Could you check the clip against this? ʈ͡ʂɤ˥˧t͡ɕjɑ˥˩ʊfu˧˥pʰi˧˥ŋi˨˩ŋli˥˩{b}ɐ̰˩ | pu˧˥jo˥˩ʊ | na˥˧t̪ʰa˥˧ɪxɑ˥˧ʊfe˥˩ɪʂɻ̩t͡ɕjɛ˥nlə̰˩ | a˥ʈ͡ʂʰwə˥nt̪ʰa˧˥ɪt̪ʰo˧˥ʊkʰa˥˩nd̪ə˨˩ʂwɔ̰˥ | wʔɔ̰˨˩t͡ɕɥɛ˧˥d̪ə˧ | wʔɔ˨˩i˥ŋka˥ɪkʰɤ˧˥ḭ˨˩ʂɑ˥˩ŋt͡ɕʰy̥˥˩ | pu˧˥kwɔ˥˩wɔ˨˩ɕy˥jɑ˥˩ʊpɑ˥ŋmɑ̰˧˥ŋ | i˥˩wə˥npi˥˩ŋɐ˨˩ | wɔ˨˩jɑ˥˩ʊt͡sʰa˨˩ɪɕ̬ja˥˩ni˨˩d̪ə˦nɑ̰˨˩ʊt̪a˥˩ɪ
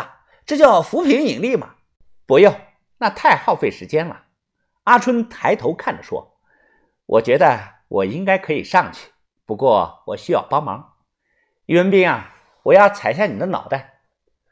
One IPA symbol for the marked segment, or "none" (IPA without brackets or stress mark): m